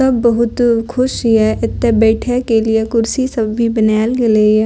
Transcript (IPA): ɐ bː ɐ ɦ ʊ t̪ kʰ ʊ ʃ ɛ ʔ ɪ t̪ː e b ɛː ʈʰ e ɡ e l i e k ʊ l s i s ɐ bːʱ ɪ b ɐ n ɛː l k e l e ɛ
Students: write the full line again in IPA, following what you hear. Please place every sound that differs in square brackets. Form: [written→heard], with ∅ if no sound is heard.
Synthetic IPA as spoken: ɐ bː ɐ ɦ ʊ t̪ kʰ ʊ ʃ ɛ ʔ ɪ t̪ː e b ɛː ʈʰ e [ɡ→k] e l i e k ʊ [l→ɾ] s i s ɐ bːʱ [ɪ→i] b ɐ n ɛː l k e l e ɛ